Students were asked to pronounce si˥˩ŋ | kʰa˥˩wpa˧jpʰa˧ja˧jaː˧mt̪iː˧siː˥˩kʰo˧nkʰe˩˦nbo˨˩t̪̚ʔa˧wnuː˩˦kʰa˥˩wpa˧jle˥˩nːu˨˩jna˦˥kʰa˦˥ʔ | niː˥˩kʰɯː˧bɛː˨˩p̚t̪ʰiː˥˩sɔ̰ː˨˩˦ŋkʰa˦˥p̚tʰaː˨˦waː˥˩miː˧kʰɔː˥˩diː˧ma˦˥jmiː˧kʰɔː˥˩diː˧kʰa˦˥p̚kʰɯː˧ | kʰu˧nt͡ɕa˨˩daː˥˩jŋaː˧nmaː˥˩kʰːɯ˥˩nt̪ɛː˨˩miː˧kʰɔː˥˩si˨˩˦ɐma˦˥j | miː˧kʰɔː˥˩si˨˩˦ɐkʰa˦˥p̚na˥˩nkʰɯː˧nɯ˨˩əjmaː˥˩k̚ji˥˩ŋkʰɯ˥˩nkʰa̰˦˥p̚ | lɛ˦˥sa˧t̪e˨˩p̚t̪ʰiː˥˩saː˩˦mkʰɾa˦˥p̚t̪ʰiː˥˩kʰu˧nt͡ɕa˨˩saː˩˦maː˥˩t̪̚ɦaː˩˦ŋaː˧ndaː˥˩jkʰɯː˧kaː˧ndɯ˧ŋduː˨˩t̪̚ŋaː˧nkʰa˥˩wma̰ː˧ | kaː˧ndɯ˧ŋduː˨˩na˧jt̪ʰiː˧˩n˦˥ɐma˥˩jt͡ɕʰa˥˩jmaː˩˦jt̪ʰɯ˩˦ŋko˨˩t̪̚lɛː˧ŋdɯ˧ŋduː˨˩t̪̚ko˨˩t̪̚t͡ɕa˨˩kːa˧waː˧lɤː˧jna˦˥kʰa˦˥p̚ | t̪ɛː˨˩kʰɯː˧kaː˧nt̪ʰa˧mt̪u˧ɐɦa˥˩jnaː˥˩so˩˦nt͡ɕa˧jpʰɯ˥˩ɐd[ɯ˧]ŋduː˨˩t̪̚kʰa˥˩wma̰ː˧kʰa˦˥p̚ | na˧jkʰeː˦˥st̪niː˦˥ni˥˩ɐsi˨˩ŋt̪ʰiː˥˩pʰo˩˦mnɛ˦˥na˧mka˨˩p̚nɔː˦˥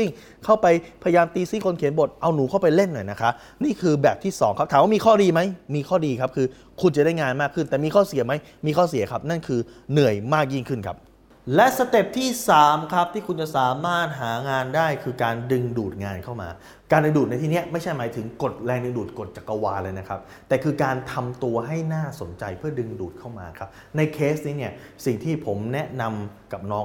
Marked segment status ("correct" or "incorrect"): correct